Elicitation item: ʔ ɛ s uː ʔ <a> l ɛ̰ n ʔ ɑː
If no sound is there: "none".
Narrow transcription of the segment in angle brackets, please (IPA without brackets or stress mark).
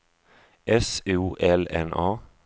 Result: ɛ